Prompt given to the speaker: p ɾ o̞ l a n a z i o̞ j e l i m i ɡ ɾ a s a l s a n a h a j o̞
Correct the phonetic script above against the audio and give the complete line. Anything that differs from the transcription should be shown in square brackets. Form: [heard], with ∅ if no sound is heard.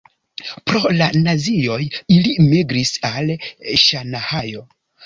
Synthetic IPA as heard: p ɾ o̞ l a n a z i o̞ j [i] l i m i ɡ ɾ [i] s a l [ʃ] a n a h a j o̞